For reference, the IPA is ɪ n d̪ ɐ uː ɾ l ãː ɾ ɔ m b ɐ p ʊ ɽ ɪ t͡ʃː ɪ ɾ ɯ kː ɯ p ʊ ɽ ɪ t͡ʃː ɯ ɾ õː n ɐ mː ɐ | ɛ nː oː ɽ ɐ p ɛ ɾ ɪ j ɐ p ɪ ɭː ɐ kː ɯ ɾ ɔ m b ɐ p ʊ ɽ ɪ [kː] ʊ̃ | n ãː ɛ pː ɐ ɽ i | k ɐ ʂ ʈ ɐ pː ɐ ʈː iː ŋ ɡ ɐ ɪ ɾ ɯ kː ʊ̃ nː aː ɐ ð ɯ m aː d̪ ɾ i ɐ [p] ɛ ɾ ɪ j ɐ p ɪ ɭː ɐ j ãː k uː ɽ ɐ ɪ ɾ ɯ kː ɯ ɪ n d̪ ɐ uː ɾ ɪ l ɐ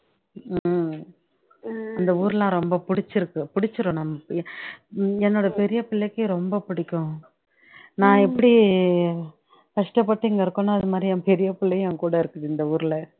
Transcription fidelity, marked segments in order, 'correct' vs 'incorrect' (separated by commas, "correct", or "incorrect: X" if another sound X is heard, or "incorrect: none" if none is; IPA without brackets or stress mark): correct, correct